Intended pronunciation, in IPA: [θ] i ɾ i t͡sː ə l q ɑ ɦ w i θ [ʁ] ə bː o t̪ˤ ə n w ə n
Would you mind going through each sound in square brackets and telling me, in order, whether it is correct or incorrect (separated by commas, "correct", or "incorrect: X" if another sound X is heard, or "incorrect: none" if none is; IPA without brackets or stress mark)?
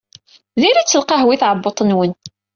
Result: incorrect: ð, incorrect: ʕ